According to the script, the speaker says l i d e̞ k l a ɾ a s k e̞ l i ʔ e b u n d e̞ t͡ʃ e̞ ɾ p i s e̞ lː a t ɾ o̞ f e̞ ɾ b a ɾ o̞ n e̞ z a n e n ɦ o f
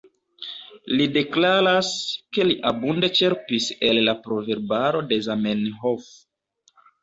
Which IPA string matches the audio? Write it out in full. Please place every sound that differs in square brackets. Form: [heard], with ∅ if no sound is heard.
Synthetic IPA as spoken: l i d e̞ k l a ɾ a s k e̞ l i ʔ [a] b u n d e̞ t͡ʃ e̞ ɾ p i s e̞ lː a [p] ɾ o̞ [v] e̞ ɾ b a ɾ o̞ [d] e̞ z a [m] e n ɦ o f